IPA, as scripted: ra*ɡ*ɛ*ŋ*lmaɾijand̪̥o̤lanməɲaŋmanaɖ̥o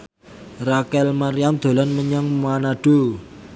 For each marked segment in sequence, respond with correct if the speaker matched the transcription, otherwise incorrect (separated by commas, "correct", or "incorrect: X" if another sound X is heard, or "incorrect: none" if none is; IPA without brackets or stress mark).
incorrect: k, incorrect: none